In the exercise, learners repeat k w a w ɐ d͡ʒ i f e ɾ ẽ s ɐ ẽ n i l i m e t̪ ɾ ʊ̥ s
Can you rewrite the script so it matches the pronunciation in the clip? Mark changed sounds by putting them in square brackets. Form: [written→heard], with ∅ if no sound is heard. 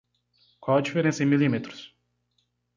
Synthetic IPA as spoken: k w a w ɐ d͡ʒ i f e ɾ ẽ s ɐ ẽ [n→m] i l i m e t̪ ɾ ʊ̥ s